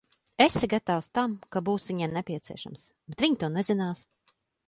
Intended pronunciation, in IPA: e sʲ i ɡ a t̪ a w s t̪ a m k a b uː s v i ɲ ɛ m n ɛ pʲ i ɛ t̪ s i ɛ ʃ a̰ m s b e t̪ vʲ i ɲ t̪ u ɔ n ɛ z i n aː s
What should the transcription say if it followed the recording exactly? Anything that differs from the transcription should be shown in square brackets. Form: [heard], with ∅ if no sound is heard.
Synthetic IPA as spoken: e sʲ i ɡ a t̪ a w s t̪ a m k a b uː s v i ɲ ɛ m n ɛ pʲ i ɛ t̪ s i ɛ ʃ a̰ m s b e t̪ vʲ i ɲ t̪ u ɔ n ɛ z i n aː s